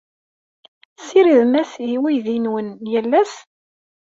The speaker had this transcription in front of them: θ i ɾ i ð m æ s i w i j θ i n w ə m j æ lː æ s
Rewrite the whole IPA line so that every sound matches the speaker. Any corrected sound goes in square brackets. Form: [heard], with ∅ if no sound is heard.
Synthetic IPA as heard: [s] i ɾ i ð m æ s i w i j [ð] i n w ə [n] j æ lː æ s